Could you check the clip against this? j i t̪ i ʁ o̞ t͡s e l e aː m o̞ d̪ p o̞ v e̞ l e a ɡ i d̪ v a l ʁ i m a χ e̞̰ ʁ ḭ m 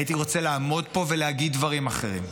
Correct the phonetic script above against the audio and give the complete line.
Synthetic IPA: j i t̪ i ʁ o̞ t͡s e l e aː m o̞ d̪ p o̞ v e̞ l e a ɡ i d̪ v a ʁ i m a χ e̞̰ ʁ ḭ m